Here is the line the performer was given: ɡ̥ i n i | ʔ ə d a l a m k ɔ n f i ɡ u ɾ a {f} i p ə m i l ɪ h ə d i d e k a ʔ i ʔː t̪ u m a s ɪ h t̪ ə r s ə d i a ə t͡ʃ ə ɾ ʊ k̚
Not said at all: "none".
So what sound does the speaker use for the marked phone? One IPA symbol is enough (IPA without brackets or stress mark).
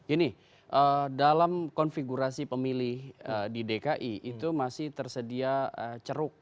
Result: s